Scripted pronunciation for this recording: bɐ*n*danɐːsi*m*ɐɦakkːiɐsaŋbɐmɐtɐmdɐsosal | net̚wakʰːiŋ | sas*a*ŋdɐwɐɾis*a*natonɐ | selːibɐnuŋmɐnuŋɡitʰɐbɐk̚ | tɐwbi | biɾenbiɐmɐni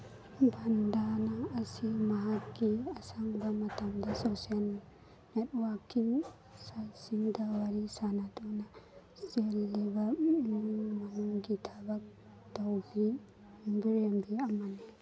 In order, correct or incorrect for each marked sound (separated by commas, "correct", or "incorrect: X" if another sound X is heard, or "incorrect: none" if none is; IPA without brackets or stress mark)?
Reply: correct, correct, incorrect: i, correct